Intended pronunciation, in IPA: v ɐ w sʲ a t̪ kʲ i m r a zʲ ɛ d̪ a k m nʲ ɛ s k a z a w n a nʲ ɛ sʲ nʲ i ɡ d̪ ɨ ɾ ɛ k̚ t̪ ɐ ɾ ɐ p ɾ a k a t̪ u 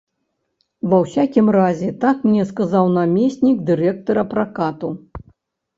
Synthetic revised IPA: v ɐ w sʲ a kʲ i m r a zʲ ɛ t̪ a k m nʲ ɛ s k a z a w n a mʲ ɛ sʲ nʲ i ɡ d̪ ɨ ɾ ɛ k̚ t̪ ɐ ɾ ɐ p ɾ a k a t̪ u